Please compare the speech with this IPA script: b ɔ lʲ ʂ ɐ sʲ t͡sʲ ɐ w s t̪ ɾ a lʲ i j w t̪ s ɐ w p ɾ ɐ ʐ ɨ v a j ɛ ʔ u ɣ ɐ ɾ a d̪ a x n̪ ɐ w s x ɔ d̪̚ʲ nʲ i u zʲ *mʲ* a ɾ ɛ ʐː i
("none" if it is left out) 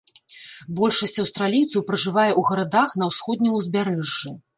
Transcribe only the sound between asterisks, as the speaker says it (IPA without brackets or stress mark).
bʲ